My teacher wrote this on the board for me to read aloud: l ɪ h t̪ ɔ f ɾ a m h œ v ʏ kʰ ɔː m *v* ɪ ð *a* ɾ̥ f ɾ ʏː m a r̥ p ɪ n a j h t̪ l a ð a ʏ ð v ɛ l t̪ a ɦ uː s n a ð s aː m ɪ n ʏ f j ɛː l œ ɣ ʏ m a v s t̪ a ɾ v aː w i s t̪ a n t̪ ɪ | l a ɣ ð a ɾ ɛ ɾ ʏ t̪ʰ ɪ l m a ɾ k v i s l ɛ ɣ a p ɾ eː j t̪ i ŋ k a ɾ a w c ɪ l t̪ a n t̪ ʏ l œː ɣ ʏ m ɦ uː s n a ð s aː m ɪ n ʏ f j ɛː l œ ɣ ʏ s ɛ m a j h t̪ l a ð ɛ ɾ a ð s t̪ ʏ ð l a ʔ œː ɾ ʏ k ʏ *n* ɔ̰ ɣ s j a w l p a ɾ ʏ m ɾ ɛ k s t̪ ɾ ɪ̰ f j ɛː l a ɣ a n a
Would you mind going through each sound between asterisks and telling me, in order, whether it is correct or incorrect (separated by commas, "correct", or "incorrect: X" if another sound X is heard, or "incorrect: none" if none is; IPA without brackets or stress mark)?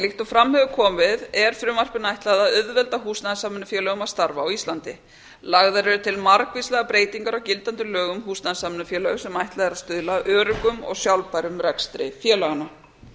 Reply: correct, incorrect: ɛ, incorrect: m